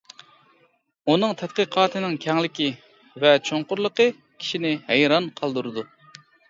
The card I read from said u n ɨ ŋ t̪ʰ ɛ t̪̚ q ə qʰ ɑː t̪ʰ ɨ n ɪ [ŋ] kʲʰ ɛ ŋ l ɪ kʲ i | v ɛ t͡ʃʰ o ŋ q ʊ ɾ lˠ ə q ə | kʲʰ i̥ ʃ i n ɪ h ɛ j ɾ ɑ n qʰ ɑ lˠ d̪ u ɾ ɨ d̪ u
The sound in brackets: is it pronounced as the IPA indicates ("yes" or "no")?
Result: yes